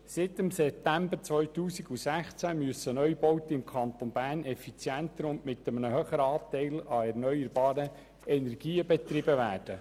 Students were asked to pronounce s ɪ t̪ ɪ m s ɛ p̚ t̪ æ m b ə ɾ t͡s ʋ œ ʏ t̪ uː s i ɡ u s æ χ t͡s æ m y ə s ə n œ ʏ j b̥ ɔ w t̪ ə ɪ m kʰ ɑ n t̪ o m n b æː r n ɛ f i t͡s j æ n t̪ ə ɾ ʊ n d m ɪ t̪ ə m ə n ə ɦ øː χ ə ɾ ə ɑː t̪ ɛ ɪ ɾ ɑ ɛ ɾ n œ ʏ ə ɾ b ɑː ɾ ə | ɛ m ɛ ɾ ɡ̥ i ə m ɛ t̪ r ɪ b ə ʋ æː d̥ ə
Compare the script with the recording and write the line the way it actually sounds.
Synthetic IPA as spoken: s ɪ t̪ ɪ m s ɛ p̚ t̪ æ m b ə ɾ t͡s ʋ œ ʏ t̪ uː s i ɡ u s æ χ t͡s æ m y ə s ə n œ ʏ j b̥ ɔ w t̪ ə ɪ m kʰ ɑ n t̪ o n b æː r n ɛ f i t͡s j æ n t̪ ə ɾ ʊ n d m ɪ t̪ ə m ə n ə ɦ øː χ ə ɾ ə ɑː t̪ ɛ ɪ l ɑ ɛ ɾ n œ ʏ ə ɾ b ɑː ɾ ə | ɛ n ɛ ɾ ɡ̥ iː ə b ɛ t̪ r ɪ b ə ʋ æː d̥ ə